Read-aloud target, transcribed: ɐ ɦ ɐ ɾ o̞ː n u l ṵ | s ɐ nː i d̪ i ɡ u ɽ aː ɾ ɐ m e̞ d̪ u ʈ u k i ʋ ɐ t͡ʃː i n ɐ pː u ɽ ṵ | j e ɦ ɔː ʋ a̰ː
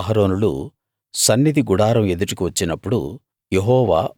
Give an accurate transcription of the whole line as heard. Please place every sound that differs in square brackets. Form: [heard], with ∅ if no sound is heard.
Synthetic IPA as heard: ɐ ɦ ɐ ɾ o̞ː n u l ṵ | s ɐ nː i d̪ i ɡ u ɽ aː ɾ ɐ m e̞ d̪ u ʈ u k i ʋ ɐ t͡ʃː i n ɐ pː u ɽ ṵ | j e ɦ ɔː ʋ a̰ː

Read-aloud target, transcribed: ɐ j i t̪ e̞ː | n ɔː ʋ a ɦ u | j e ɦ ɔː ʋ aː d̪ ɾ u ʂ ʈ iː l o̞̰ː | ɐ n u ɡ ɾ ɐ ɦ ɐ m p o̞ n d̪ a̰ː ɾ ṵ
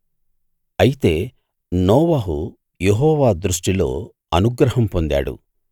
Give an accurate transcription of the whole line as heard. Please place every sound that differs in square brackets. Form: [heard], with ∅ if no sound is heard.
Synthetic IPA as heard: ɐ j i t̪ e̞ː | n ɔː ʋ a ɦ u | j e ɦ ɔː ʋ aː d̪ ɾ u ʂ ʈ [i] l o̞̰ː | ɐ n u ɡ ɾ ɐ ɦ ɐ m p o̞ n d̪ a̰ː [ɽ] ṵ

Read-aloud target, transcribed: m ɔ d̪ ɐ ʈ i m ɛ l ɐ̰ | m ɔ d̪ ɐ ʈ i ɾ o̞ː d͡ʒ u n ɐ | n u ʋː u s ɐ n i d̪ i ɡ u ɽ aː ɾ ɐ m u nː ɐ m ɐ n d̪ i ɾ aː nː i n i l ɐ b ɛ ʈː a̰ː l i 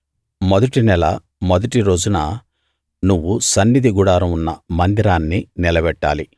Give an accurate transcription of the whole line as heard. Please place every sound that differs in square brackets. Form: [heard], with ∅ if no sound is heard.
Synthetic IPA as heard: m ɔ d̪ ɐ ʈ i [n] ɛ l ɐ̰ | m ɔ d̪ ɐ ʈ i ɾ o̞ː d͡ʒ u n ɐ | n u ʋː u s ɐ [nː] i d̪ i ɡ u ɽ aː ɾ ɐ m u nː ɐ m ɐ n d̪ i ɾ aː nː i n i l ɐ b ɛ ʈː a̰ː l i

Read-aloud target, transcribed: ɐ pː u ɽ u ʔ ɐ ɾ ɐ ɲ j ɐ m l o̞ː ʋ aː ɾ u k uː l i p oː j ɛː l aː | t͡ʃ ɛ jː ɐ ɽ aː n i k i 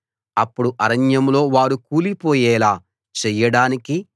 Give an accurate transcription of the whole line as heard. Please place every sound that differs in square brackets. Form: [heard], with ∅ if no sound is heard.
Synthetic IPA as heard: ɐ pː u ɽ u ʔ ɐ ɾ ɐ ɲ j ɐ m l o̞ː ʋ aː ɾ u k uː l i p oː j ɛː l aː | t͡ʃ ɛ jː ɐ ɽ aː n i k i

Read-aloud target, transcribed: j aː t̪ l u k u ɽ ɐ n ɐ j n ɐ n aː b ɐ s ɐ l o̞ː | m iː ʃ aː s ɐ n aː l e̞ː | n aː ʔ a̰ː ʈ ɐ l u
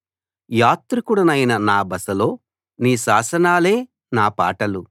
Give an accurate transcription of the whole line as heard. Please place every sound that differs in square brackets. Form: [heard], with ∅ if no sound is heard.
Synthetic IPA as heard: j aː t̪ [ɾ] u k u ɽ ɐ n ɐ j n ɐ n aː b ɐ s ɐ l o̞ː | [n] iː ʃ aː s ɐ n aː l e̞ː | n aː [p] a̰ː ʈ ɐ l u

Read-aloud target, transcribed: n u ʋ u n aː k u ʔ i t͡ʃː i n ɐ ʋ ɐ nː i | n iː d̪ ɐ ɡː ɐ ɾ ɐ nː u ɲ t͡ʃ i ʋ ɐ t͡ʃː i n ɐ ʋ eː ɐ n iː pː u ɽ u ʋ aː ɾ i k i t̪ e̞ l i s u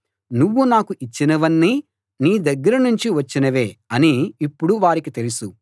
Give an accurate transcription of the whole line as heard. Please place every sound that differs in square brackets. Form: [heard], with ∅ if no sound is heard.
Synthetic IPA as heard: n u [ʋː] u n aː k u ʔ i t͡ʃː i n ɐ ʋ ɐ nː i | n iː d̪ ɐ ɡː ɐ ɾ ɐ [n] u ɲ t͡ʃ i ʋ ɐ t͡ʃː i n ɐ ʋ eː ɐ n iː pː u ɽ u ʋ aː ɾ i k i t̪ e̞ l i s u

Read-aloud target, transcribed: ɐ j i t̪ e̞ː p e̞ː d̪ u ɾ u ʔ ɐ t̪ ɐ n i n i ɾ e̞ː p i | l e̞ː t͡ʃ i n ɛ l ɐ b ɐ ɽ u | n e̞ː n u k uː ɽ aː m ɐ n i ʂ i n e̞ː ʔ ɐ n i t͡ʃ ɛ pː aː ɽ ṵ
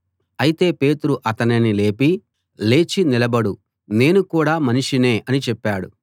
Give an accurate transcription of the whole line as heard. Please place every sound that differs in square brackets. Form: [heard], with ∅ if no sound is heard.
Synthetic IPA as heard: ɐ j i t̪ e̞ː p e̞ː [t̪] u ɾ u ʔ ɐ t̪ ɐ n i n i [l] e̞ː p i | l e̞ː t͡ʃ i n [i] l ɐ b ɐ ɽ u | n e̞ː n u k uː ɽ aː m ɐ n i ʂ i n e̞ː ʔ ɐ n i t͡ʃ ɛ pː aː ɽ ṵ

